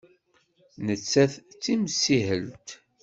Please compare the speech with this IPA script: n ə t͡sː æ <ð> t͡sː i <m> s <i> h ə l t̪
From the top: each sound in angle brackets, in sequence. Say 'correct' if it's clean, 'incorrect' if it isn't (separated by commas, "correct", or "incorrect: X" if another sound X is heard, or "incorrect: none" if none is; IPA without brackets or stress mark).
incorrect: θ, correct, correct